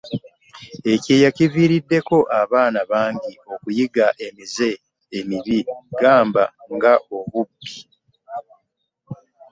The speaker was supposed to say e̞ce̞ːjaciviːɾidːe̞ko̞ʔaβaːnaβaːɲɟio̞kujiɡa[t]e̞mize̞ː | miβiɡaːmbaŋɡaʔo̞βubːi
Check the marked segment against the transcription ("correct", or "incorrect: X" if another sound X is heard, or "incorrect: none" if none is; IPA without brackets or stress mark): incorrect: ʔ